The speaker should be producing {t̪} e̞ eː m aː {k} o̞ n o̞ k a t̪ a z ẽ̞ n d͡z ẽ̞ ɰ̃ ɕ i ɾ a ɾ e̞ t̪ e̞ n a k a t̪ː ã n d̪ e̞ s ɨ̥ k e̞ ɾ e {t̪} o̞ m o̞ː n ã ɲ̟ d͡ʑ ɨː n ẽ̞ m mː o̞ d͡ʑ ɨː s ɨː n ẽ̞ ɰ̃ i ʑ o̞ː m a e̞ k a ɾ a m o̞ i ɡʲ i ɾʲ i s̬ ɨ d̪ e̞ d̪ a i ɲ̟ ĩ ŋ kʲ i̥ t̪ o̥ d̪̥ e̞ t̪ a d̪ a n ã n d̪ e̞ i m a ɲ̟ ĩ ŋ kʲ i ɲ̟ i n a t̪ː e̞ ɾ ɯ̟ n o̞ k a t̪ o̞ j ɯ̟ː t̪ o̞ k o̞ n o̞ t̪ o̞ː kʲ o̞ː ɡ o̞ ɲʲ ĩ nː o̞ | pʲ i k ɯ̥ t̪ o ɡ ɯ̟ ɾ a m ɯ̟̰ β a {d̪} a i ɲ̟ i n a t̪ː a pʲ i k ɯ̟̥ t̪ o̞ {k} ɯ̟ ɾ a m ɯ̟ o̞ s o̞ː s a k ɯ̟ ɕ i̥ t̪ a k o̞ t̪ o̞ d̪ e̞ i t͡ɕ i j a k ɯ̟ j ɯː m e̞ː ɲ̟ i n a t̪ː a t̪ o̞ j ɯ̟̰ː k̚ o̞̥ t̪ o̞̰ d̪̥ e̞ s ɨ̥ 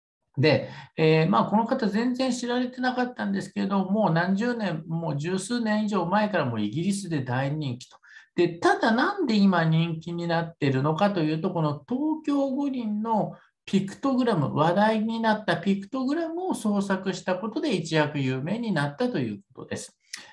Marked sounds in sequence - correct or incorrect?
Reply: incorrect, correct, incorrect, correct, incorrect

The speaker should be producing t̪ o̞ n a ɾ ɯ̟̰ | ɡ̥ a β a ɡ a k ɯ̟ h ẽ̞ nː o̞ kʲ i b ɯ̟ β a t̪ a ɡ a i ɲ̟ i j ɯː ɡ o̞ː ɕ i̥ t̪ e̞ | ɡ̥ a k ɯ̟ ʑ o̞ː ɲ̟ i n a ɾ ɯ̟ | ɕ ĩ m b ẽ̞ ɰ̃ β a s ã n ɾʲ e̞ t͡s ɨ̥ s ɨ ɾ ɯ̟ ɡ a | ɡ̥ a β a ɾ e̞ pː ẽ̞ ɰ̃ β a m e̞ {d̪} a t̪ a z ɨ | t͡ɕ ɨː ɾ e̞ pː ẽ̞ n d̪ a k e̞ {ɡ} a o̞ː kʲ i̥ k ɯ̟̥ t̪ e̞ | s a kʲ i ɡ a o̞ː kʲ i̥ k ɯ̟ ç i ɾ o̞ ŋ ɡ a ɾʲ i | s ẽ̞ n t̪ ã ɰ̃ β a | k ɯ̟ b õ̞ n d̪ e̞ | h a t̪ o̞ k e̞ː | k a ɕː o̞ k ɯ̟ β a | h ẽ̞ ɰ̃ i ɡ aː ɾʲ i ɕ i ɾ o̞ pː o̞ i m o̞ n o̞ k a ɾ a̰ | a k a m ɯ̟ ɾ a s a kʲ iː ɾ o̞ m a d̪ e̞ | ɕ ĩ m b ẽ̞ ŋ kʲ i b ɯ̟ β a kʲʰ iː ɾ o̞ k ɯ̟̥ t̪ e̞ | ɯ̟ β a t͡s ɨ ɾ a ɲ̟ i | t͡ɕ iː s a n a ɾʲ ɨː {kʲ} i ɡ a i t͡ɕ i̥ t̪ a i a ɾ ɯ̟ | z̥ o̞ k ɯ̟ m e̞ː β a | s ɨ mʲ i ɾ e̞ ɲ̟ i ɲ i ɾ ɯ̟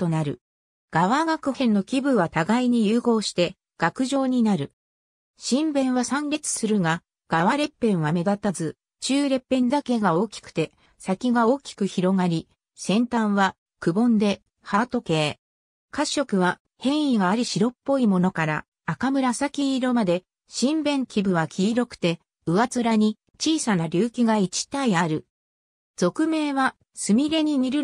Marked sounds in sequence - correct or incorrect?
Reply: correct, correct, correct

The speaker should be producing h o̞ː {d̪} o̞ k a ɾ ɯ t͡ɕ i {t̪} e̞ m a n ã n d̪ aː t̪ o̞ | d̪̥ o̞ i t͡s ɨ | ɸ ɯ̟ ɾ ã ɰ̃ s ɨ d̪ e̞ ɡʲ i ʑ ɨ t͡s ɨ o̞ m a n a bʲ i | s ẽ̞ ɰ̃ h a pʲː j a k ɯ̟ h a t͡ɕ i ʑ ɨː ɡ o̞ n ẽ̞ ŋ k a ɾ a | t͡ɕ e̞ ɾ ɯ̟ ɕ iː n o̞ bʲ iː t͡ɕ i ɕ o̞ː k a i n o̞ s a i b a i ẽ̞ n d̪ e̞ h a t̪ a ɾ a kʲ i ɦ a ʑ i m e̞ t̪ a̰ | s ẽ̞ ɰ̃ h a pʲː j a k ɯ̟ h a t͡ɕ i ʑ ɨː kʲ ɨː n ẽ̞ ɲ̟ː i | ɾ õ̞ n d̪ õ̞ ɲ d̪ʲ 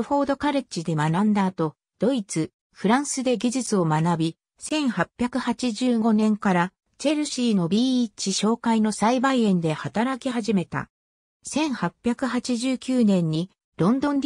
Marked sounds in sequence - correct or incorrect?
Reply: correct, incorrect

